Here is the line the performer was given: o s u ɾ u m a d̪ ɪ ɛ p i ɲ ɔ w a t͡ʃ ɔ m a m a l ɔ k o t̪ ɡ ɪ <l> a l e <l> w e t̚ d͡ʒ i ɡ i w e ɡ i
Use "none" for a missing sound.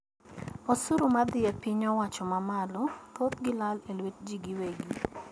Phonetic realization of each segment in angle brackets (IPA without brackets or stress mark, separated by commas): l, l